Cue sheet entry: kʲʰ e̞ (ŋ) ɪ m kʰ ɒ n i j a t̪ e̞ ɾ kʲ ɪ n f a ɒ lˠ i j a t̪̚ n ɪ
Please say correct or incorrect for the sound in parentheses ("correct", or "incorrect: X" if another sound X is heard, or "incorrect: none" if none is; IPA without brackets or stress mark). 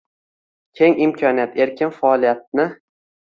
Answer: correct